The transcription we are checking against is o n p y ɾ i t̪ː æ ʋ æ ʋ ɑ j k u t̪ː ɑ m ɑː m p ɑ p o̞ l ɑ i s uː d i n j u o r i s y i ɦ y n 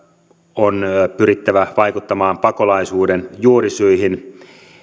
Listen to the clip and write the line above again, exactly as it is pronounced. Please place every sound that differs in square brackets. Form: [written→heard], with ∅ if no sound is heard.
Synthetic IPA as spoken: o n p y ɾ i t̪ː æ ʋ æ ʋ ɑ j k u t̪ː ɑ m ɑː m p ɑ [p→k] o̞ l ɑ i s uː d [i→e] n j u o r i s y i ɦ [y→i] n

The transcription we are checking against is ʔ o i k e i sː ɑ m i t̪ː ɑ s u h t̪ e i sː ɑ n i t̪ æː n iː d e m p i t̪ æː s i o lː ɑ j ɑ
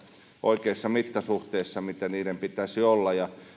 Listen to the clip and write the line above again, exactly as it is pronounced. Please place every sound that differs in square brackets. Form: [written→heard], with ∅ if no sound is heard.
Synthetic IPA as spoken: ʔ o i k e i sː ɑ m i t̪ː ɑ s u h t̪ e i sː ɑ [n→m] i t̪ [æː→æ] n iː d e m p i t̪ [æː→æ] s i o lː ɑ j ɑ

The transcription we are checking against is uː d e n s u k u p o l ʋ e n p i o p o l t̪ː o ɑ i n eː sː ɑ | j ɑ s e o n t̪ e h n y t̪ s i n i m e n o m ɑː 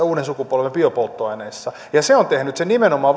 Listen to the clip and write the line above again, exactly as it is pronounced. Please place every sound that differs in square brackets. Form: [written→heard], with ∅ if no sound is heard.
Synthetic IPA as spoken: uː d e n s u k u p o l ʋ e [n→m] p i o p o l t̪ː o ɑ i n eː sː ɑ | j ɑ s e o n t̪ e h n y t̪ s [i→e] n i m e n o m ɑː

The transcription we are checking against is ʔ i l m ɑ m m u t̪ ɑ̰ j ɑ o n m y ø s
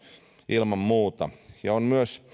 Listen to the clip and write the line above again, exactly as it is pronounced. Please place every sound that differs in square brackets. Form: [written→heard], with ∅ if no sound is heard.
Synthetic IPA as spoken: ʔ i l m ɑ m m [u→uː] t̪ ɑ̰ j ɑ o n m y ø s

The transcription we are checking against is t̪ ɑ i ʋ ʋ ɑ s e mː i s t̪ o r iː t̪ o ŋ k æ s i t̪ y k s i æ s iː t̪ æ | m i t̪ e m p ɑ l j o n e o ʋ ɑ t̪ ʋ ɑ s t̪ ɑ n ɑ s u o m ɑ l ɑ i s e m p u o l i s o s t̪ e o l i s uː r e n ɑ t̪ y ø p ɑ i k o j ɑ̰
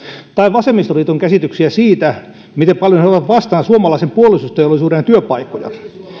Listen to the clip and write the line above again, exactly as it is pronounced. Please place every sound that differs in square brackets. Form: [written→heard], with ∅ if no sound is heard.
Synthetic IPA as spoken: t̪ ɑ i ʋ ʋ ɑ s e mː i s t̪ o r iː t̪ o ŋ k æ s i t̪ y k s i æ s iː t̪ æ | m i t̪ e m p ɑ l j o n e o ʋ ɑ t̪ ʋ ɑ s t̪ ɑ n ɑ s u o m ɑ l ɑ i s e m p u o l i s [o→u] s t̪ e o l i s uː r e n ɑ t̪ y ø p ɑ i k o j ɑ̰

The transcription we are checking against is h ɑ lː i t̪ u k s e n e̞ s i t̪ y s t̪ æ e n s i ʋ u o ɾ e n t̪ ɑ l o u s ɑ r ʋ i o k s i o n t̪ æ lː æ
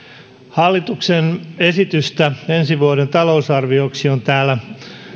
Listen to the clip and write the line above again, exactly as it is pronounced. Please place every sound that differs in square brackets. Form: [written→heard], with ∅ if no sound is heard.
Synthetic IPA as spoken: h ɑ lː i t̪ u k s e n e̞ s i t̪ y s t̪ æ e n s i ʋ u o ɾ e n t̪ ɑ l o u s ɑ r ʋ i o k s i o n t̪ [æ→æː] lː æ

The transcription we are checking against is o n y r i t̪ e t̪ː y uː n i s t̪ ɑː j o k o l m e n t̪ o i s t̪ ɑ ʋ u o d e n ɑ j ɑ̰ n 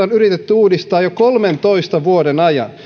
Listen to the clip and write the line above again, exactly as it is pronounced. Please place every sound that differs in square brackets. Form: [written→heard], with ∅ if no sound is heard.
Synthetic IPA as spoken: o n y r i t̪ e t̪ː y uː [n→d] i s t̪ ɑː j o k o l m e n t̪ o i s t̪ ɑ ʋ u o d e n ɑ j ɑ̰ n

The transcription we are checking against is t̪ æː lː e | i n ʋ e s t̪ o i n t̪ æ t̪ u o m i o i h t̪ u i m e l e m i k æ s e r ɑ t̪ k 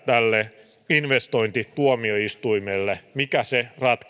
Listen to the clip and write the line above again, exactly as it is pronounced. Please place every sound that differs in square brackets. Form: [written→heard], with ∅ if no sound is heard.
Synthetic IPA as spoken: t̪ [æː→æ] lː e | i n ʋ e s t̪ o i n t̪ [æ→i] t̪ u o m i o i [h→s] t̪ u i m e [l→lː] e m i k æ s e r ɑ t̪ k

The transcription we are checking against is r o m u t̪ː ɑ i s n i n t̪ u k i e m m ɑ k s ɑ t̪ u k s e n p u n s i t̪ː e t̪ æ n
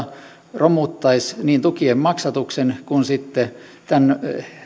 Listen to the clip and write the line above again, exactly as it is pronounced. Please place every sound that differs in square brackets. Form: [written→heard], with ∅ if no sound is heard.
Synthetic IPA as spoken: r o m u t̪ː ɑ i s n [i→iː] n t̪ u k i e m m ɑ k s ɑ t̪ u k s e n [p→k] u n s i t̪ː e t̪ æ n

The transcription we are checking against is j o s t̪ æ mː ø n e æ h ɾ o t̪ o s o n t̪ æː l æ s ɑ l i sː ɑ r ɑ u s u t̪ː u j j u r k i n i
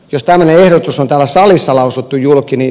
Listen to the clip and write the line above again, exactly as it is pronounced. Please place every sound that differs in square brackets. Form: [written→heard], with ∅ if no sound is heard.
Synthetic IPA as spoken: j o s t̪ æ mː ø n e [æ→e] h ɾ o t̪ [o→u] s o n t̪ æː l æ s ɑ l i sː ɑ [r→l] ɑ u s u t̪ː u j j u [r→l] k i n i

